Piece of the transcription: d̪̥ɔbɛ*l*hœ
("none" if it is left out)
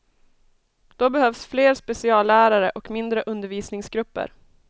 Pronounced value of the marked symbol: none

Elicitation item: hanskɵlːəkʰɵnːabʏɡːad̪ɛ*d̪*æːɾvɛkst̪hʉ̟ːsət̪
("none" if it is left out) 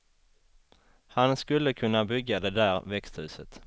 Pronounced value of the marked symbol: d̪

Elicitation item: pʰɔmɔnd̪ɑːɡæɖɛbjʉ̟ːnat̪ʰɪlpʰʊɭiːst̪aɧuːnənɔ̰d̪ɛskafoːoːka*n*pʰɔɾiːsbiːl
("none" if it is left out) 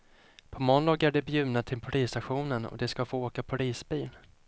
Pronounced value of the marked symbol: none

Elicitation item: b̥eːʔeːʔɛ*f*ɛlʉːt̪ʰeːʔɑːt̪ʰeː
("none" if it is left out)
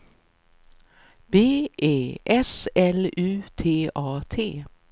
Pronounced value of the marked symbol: s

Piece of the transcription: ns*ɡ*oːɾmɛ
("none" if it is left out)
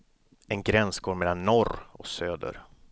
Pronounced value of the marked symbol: ɡ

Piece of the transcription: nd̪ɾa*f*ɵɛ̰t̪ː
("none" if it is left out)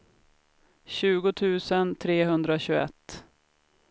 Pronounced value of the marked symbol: ɕ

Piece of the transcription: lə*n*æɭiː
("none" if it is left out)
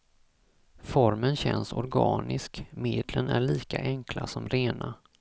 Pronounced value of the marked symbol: n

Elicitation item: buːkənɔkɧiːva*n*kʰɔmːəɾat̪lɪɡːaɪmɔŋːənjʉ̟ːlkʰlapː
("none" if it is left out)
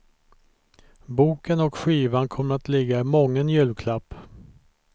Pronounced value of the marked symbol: n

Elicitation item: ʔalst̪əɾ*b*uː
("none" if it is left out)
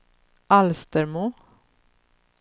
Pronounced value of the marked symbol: m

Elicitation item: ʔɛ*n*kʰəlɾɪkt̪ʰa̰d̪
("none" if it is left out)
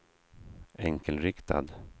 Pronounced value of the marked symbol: ŋ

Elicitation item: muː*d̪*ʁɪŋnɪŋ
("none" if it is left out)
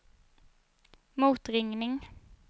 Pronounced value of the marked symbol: t̪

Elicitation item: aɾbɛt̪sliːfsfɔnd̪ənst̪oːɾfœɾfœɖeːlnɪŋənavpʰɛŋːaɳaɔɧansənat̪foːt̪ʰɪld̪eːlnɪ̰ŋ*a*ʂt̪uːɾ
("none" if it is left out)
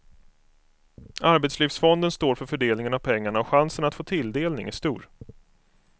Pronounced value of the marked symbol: æ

